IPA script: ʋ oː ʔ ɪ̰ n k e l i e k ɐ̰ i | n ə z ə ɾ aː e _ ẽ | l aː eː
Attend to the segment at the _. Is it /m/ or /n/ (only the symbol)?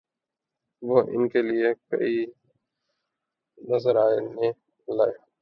n